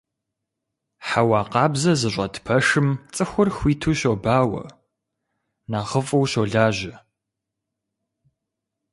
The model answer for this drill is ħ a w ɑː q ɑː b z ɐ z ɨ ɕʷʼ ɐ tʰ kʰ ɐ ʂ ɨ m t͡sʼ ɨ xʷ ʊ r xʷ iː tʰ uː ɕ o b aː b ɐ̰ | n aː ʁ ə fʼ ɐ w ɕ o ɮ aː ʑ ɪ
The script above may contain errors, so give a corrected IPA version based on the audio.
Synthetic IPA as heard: ħ a w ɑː q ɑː b z ɐ z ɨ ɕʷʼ ɐ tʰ pʰ ɐ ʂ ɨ m t͡sʼ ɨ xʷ ʊ r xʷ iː tʰ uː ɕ o b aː w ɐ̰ | n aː ʁ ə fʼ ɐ w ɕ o ɮ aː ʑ ɪ